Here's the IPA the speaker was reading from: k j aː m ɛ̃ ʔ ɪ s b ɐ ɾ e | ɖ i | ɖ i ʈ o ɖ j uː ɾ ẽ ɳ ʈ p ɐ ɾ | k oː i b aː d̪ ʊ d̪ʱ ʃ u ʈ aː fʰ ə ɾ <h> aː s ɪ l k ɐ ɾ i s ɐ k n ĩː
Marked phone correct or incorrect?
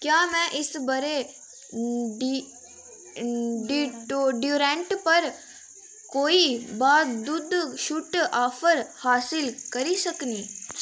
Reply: correct